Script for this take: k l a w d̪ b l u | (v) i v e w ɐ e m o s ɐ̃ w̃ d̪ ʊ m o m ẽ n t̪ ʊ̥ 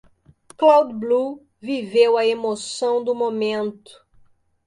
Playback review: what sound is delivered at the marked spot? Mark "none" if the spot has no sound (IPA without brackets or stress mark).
v